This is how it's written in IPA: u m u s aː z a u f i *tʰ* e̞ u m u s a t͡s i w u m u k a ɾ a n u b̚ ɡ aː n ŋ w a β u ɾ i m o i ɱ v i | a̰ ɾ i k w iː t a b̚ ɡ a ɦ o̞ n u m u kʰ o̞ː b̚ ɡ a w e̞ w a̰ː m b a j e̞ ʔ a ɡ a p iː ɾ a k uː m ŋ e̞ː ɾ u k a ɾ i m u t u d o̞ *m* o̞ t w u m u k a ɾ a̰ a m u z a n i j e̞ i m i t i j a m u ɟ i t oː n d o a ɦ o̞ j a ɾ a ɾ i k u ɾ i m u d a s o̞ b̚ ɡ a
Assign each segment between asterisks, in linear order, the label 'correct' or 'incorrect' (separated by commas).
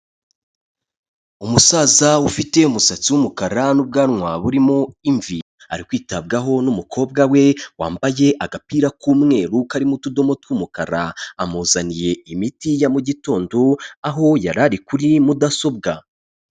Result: incorrect, correct